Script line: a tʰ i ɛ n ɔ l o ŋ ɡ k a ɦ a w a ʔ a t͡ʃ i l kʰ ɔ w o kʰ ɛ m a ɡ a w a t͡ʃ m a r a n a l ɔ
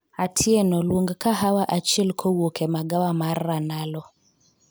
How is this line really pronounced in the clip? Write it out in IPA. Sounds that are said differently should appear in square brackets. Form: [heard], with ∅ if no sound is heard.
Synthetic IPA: a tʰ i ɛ n ɔ l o ŋ ɡ k a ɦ a w a ʔ a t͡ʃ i l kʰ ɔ w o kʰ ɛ m a ɡ a w a [∅] m a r a n a l ɔ